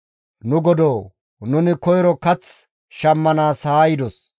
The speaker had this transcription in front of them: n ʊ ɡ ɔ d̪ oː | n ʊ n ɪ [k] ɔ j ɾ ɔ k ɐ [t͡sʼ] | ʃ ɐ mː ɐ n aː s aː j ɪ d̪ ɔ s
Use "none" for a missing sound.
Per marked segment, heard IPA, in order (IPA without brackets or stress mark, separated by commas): k, t͡s